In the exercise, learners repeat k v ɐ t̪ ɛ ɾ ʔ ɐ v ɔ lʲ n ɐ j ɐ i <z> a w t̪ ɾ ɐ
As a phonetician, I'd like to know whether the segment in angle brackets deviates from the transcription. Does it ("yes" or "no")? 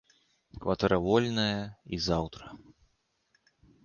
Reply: no